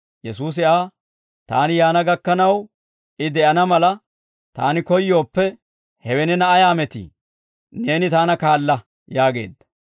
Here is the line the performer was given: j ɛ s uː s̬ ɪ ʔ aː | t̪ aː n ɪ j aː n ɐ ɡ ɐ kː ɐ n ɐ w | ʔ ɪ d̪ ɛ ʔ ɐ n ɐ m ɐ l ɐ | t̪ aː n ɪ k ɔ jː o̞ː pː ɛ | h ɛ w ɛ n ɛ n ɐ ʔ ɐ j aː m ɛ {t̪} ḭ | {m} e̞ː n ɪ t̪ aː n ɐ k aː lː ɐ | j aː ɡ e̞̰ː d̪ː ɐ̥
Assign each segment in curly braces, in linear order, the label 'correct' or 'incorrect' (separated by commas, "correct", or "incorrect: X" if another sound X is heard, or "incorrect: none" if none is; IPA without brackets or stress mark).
correct, incorrect: n